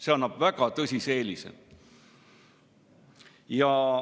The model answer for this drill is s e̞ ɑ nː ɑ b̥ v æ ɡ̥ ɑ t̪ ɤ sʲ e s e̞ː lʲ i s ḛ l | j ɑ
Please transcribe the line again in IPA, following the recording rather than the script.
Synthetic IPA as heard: s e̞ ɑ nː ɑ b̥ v æ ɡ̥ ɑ t̪ ɤ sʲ i s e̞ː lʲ i s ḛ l | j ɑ